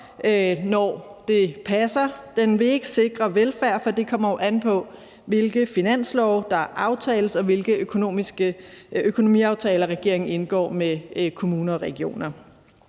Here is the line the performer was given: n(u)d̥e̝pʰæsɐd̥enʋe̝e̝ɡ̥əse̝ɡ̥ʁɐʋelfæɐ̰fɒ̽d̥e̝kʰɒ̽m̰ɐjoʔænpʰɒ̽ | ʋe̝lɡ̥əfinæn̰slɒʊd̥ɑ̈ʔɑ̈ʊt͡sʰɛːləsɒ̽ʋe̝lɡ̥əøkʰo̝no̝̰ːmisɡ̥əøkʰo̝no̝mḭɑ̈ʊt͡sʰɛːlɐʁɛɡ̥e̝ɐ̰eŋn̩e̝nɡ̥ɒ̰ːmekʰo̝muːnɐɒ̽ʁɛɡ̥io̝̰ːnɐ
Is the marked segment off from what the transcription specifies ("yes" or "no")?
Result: yes